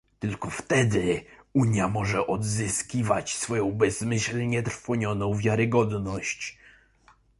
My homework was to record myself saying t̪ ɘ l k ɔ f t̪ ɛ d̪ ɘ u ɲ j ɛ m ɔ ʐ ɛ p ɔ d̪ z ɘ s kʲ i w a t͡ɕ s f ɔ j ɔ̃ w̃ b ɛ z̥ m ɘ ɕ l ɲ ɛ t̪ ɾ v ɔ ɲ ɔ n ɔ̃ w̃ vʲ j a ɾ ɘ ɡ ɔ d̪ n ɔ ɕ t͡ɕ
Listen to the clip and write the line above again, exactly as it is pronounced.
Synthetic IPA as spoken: t̪ ɘ l k ɔ f t̪ ɛ d̪ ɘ u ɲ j a m ɔ ʐ ɛ ʔ ɔ d̪ z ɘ s kʲ i v a t͡ɕ s f ɔ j ɔ̃ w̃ b ɛ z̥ m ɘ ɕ l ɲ ɛ t̪ ɾ f ɔ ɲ ɔ n ɔ̃ w̃ vʲ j a ɾ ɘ ɡ ɔ d̪ n ɔ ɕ t͡ɕ

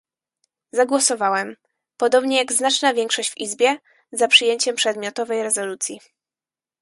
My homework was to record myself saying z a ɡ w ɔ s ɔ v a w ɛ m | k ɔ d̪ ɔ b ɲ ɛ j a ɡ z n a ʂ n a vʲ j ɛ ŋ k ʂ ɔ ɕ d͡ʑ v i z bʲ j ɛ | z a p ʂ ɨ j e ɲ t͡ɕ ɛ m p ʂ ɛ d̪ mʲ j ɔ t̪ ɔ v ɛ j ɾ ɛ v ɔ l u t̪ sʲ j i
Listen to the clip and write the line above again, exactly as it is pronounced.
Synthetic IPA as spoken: z a ɡ w ɔ s ɔ v a w ɛ m | p ɔ d̪ ɔ b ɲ ɛ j a ɡ z n a t͡ʂ n a vʲ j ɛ ŋ k ʂ ɔ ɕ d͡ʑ v i z bʲ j ɛ | z a p ʂ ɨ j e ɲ t͡ɕ ɛ m p ʂ ɛ d̪ mʲ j ɔ t̪ ɔ v ɛ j ɾ ɛ z ɔ l u t̪ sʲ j i

